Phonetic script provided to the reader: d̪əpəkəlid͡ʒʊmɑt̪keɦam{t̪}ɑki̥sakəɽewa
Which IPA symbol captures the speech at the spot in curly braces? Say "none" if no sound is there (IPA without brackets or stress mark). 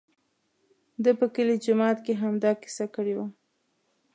d̪